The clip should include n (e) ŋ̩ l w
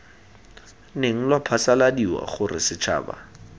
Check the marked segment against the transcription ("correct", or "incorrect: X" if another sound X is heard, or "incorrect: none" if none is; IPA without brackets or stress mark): correct